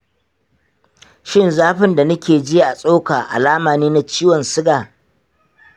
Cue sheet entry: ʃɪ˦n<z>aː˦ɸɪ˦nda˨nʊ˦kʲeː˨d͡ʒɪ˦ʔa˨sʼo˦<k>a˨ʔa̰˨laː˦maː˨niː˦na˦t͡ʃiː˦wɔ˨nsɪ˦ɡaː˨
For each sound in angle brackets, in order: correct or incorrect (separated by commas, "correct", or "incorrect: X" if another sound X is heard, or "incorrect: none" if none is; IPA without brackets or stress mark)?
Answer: correct, correct